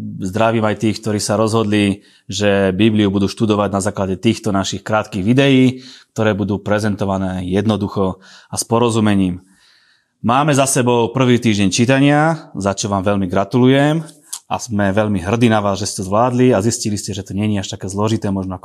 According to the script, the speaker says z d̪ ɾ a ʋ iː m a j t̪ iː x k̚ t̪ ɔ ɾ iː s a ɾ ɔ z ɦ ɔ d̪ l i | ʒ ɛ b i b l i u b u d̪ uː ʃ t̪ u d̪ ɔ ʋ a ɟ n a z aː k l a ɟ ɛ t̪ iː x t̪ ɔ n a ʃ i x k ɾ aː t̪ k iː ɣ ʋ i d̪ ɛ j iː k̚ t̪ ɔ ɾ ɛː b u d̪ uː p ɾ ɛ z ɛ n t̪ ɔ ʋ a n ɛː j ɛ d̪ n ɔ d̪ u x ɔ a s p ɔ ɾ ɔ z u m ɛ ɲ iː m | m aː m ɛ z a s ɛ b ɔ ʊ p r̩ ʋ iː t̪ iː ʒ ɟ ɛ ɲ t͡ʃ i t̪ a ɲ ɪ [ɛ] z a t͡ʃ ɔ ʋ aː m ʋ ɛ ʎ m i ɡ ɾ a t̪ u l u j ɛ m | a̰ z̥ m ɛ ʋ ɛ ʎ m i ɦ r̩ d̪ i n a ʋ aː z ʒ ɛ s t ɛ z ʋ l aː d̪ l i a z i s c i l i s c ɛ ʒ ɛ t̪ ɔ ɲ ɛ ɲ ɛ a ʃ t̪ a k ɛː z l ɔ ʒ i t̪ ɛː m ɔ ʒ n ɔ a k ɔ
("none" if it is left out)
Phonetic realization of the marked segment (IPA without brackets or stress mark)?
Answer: a